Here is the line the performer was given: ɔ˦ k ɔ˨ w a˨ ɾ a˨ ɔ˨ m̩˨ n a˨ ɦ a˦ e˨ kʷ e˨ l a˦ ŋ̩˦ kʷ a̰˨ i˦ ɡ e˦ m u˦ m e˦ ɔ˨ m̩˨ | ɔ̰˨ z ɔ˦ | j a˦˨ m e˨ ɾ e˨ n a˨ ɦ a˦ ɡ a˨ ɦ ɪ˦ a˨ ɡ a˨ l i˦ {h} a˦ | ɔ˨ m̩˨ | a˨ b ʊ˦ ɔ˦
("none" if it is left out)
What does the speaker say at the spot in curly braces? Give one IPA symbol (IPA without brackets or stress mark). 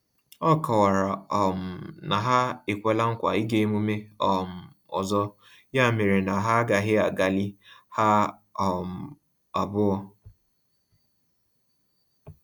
h